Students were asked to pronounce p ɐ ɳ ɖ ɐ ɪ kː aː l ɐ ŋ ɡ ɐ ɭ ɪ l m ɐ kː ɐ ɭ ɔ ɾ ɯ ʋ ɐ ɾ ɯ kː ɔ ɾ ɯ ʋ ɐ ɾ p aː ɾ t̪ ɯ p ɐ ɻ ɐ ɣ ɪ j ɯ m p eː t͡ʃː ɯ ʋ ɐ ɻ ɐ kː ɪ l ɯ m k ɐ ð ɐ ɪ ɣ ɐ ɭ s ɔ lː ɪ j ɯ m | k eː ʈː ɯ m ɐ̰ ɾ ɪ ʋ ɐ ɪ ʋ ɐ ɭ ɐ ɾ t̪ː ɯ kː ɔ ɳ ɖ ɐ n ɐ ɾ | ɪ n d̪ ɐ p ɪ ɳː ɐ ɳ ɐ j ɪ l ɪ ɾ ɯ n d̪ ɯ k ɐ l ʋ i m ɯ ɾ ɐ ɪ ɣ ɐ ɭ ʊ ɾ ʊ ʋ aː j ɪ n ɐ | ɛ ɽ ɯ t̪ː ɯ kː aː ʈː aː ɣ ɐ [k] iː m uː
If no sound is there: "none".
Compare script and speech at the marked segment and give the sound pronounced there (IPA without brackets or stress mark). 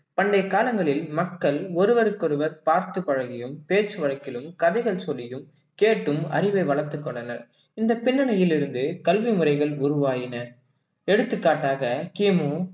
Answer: k